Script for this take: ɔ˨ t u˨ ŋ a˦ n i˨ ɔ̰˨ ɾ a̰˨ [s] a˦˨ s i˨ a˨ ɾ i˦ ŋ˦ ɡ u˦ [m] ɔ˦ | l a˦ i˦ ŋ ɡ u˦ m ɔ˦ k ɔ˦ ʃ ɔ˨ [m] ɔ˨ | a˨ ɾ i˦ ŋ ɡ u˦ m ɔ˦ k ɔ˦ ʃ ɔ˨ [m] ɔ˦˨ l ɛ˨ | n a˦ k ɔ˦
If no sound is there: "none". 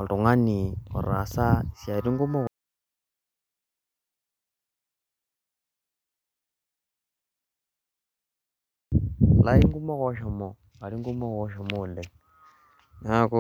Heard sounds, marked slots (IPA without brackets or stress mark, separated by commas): s, m, m, m